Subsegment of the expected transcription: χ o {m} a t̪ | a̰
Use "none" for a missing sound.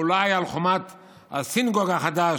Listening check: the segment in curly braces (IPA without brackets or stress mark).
m